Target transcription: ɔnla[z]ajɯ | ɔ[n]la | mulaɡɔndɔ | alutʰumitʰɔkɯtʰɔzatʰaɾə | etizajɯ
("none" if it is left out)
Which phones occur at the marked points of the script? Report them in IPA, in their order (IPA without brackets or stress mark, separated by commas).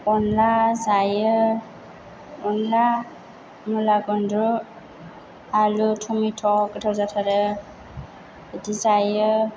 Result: z, n